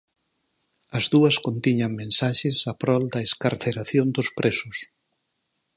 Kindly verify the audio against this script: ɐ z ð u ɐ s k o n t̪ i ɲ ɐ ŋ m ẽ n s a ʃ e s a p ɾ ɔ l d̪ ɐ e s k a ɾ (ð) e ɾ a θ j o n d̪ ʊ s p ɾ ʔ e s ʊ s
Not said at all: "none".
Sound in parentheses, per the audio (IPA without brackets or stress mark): θ